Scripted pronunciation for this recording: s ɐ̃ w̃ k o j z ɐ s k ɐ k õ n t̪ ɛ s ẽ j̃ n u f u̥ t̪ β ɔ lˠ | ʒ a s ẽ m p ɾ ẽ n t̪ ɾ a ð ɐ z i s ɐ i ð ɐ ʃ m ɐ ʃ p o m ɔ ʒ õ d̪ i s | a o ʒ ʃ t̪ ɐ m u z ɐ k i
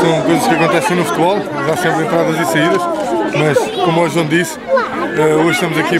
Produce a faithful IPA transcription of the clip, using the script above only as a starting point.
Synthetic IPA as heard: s ɐ̃ w̃ k o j z ɐ ʃ k ɐ k õ n t̪ ɛ s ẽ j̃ n u f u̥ t̪ β ɔ lˠ | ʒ a s ẽ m p ɾ ẽ n t̪ ɾ a ð ɐ z i s ɐ i ð ɐ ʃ m ɐ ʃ k o m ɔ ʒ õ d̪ i s | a o ʒ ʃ t̪ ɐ m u z ɐ k i

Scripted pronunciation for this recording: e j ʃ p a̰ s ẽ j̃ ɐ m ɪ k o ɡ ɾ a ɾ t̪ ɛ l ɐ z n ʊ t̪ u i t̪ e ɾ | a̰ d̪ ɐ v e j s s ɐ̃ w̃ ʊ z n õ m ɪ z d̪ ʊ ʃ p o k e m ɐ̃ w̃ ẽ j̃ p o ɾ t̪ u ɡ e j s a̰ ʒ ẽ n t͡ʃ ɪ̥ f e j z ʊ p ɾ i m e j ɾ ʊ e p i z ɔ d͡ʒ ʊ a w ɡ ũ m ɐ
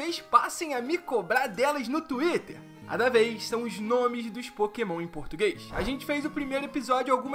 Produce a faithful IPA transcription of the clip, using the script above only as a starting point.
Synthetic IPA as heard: e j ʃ p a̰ s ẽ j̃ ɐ m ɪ k o b ɾ a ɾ d̪ ɛ l ɐ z n ʊ t̪ u i t̪ e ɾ | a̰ d̪ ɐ v e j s s ɐ̃ w̃ ʊ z n õ m ɪ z d̪ ʊ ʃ p o k e m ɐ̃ w̃ ẽ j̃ p o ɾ t̪ u ɡ e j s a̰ ʒ ẽ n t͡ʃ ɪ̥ f e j z ʊ p ɾ i m e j ɾ ʊ e p i z ɔ d͡ʒ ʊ a w ɡ ũ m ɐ

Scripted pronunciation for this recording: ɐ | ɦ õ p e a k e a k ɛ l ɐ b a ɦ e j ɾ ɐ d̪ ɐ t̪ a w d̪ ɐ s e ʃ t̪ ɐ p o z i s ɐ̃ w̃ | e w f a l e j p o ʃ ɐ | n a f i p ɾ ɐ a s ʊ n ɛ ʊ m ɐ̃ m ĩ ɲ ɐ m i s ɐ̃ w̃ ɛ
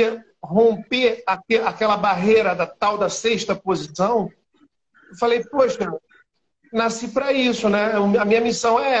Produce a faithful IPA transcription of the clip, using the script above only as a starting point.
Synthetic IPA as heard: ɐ | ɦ õ p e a k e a k ɛ l ɐ b a ɦ e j ɾ ɐ d̪ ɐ t̪ a w d̪ ɐ s e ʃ t̪ ɐ p o z i s ɐ̃ w̃ | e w f a l e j p o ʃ ɐ | n a s i p ɾ ɐ i s ʊ n ɛ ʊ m ɐ m ĩ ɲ ɐ m i s ɐ̃ w̃ ɛ

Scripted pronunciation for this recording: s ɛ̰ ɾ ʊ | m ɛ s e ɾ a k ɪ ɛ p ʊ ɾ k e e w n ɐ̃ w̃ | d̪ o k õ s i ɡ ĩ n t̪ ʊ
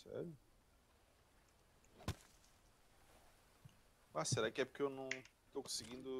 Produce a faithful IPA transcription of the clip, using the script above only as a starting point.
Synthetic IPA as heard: s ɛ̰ ɾ ʊ | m a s e ɾ a k ɪ ɛ p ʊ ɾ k e e w n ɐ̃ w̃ | t̪ o k õ s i ɡ ĩ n d̪ ʊ

